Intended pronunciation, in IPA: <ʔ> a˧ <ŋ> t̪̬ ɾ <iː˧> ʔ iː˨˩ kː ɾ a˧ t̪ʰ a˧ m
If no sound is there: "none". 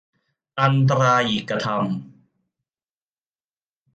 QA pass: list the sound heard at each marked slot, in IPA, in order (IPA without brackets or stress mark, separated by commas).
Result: ʔ, n, aː˧